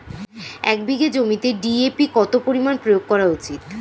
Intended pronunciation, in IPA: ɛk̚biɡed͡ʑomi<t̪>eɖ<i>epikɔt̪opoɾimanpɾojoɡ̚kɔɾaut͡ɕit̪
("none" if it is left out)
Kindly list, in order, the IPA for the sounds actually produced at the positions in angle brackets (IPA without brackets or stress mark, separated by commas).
t̪, i